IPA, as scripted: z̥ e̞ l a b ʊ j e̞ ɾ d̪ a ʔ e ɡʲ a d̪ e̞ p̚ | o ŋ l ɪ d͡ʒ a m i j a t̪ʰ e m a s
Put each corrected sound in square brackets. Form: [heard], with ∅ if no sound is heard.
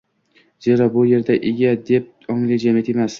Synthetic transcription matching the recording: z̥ e̞ [ɾ] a b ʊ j e̞ ɾ d̪ a ʔ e ɡʲ a d̪ e̞ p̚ | [ɒ] ŋ l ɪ d͡ʒ a m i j a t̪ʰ e m a s